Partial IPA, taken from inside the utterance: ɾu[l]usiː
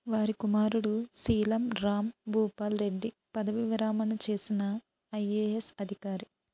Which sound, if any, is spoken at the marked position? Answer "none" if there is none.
ɽ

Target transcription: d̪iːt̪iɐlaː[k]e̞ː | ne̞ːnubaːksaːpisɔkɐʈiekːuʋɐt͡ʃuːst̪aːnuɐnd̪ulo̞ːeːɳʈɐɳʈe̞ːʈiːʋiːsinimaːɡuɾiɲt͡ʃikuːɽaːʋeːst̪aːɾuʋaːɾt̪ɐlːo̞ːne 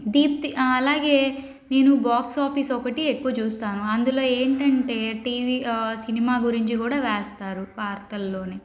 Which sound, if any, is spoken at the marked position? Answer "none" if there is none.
ɡ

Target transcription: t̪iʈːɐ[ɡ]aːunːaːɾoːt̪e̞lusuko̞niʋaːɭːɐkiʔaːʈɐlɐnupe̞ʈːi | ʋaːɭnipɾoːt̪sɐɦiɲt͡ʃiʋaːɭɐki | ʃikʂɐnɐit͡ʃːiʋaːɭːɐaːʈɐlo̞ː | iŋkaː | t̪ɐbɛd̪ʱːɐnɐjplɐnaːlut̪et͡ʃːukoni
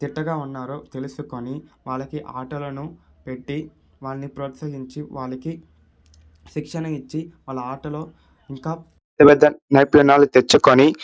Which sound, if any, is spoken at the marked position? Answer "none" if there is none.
ɡ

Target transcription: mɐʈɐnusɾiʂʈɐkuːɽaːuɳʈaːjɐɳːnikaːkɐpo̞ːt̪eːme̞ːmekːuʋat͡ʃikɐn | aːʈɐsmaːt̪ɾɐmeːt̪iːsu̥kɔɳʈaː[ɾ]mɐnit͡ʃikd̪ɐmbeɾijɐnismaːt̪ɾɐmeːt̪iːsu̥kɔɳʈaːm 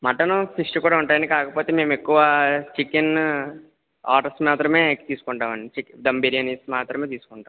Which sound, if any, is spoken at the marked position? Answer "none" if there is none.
none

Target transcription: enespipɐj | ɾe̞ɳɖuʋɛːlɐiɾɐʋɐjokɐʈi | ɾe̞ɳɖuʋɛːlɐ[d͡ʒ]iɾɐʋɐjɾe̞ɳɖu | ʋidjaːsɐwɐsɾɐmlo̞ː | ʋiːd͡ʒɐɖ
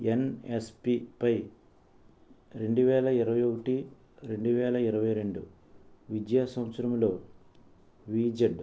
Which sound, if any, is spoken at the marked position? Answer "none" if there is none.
none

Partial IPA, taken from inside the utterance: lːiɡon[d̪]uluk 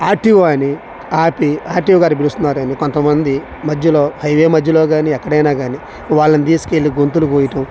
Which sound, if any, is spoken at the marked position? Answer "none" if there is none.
t̪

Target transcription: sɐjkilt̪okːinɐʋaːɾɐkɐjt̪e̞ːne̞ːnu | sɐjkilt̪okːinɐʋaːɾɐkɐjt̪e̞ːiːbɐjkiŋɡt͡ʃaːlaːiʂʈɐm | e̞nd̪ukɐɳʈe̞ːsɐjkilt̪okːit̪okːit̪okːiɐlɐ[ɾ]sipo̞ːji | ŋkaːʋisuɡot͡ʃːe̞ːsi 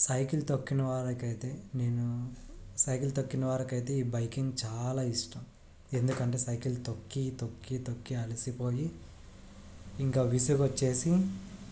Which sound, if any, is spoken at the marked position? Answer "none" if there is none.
none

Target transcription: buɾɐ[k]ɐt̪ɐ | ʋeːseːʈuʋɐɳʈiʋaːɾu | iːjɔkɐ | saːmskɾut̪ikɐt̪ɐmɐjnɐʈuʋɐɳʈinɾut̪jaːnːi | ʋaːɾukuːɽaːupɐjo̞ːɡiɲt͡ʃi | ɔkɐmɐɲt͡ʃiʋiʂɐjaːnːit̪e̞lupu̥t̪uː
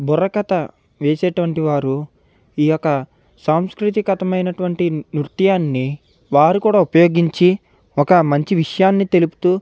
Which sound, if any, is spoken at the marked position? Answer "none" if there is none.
k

